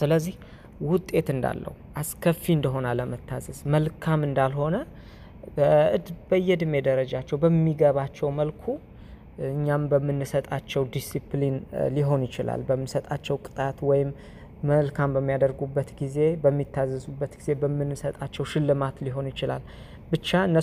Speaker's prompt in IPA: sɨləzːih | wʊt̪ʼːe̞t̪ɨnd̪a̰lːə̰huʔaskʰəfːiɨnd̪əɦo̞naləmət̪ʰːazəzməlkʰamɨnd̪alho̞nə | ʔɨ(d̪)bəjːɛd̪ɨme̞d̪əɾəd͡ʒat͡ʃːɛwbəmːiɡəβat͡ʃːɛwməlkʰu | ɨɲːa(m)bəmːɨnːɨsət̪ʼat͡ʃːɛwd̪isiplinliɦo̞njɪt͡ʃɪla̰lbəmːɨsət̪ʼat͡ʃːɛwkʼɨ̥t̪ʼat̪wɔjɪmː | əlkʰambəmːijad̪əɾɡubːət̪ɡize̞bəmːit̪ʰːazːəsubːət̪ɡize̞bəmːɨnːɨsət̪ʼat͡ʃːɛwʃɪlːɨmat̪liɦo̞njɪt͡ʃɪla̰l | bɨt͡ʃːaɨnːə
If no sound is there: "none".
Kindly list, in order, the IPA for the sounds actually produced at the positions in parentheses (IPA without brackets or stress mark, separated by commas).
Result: d̪, m